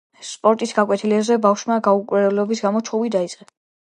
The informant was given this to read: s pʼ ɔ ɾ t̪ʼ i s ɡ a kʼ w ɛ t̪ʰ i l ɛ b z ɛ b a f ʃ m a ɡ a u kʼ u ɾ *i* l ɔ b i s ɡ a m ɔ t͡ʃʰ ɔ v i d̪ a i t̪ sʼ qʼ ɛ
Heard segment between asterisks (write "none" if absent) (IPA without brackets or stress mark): ɛ